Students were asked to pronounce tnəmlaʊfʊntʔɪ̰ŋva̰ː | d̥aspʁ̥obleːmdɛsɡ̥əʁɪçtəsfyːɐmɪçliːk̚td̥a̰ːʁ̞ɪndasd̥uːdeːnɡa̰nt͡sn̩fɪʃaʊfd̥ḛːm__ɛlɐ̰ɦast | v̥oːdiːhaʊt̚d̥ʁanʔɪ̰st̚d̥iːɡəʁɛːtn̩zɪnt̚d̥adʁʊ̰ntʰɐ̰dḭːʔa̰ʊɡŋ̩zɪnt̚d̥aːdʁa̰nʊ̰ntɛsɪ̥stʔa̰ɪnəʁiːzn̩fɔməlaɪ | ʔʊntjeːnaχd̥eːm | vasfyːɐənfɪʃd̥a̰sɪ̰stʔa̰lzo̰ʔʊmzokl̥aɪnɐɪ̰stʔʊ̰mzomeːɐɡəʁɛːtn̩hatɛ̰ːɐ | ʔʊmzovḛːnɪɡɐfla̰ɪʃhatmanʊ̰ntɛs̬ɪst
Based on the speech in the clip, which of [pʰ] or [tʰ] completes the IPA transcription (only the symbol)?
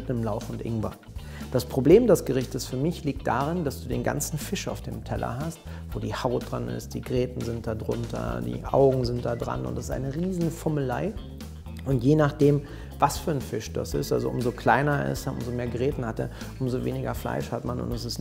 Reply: tʰ